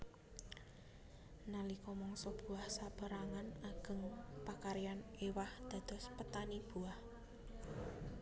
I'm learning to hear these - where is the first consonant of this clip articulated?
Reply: tongue tip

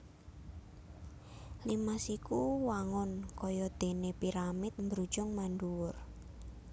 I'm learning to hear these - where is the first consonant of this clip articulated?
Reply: tongue tip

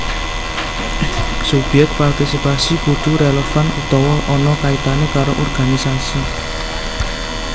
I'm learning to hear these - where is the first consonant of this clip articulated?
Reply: tongue tip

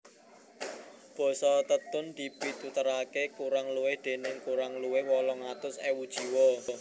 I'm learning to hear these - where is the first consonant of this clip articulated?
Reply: lips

